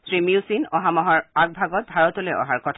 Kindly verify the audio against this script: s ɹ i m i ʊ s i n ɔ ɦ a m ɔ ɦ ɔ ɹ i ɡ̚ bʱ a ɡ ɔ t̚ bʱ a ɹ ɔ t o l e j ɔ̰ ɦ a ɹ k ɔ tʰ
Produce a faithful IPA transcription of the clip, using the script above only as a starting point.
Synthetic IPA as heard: s ɹ i m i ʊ s i n ɔ ɦ a m ɔ ɦ ɔ ɹ a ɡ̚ bʱ a ɡ ɔ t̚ bʱ a ɹ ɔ t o l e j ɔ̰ ɦ a ɹ k ɔ tʰ

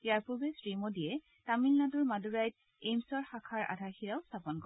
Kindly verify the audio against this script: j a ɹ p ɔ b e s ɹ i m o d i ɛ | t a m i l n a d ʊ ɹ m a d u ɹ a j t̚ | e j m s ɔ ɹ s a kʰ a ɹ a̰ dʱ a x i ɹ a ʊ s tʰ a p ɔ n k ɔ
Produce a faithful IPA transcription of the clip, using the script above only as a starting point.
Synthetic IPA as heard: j a ɹ p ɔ b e s ɹ i m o d i ɛ | t a m i l n a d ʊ ɹ m a d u ɹ a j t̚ | e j m s ɔ ɹ x a kʰ a ɹ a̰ dʱ a x i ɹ a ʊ s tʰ a p ɔ n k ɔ

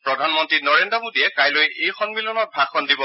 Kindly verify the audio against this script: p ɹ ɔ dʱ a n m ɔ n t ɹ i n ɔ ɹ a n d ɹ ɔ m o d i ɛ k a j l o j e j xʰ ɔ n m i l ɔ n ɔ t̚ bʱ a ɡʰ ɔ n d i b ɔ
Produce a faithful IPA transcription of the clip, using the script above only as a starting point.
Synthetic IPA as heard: p ɹ ɔ dʱ a n m ɔ n t ɹ i n ɔ ɹ e n d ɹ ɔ m o d i ɛ k a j l o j e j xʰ ɔ n m i l ɔ n ɔ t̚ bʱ a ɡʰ ɔ n d i b ɔ

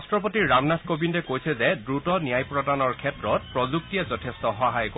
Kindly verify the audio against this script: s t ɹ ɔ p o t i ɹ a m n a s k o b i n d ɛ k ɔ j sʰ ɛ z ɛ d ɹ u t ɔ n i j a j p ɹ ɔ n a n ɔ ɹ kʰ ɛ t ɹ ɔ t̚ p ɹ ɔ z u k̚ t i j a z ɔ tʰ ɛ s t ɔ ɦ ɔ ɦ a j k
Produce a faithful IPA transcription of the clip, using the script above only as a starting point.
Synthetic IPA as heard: s t ɹ ɔ p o t i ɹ a m n a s k o b i n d ɛ k o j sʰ ɛ z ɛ d ɹ u t ɔ n i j a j p ɹ ɔ d a n ɔ ɹ kʰ ɛ t ɹ ɔ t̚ p ɹ ɔ z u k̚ t i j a z ɔ tʰ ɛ s t ɔ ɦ ɔ ɦ a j k

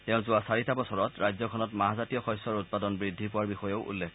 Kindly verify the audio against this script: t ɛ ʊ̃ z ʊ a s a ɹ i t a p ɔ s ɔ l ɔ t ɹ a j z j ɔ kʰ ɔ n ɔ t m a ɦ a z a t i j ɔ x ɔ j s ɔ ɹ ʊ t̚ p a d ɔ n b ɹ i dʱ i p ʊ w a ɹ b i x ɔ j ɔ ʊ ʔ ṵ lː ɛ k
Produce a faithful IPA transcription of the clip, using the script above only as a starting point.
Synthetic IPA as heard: t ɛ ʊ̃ z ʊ a s a ɹ i t a b ɔ s ɔ ɹ ɔ t ɹ a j z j ɔ kʰ ɔ n ɔ t m a ɦ a z a t i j ɔ x ɔ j s ɔ ɹ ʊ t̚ p a d ɔ n b ɹ i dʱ i p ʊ w a ɹ b i x ɔ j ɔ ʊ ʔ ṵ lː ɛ k

